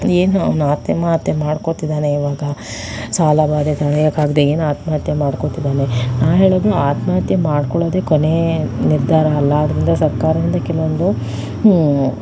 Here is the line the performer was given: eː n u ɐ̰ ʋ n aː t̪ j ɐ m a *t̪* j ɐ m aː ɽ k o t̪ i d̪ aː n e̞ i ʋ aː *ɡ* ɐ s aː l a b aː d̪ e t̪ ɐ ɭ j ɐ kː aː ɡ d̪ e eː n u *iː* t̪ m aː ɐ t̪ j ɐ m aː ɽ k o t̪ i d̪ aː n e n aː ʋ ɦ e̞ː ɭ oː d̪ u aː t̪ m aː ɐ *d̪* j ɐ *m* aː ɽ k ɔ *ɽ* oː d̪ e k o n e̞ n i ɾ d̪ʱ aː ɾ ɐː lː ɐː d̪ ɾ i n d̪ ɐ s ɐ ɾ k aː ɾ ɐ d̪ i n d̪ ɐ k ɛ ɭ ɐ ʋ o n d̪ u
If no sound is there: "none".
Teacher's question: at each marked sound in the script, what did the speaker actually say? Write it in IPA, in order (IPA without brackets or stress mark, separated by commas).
t̪, ɡ, aː, t̪, m, ɭ